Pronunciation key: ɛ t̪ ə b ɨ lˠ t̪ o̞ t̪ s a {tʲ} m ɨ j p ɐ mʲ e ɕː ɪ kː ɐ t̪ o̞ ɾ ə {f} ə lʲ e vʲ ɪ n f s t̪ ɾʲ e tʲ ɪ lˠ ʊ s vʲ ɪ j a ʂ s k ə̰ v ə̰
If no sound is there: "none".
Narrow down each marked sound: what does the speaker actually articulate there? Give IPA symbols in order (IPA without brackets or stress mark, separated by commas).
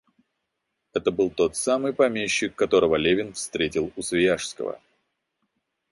none, v